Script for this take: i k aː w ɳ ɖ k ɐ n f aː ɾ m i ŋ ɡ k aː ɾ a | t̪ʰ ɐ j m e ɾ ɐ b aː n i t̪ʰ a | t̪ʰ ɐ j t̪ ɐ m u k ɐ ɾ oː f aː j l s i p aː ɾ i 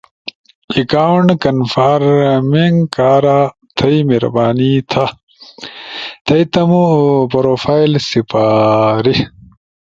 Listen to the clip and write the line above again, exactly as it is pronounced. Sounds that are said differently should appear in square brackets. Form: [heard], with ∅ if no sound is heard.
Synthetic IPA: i k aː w ɳ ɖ k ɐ n f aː ɾ m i ŋ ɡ k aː ɾ a | t̪ʰ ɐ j m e ɾ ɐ b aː n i t̪ʰ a | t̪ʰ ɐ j t̪ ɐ m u [p] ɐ ɾ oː f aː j l s i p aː ɾ i